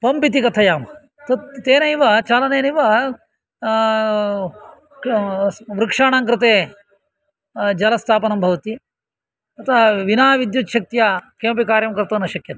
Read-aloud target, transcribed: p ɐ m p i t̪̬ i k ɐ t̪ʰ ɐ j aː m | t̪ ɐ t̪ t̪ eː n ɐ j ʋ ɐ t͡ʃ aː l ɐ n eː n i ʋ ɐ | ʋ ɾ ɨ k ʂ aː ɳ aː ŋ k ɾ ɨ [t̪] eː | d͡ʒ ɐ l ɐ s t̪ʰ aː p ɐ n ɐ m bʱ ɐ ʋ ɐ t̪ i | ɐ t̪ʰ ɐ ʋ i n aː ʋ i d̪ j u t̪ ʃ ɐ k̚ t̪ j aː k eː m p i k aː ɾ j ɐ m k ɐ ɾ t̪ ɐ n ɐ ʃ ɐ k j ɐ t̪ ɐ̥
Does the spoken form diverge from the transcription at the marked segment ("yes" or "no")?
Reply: no